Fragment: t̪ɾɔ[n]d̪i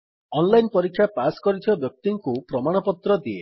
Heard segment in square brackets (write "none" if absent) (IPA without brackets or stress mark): none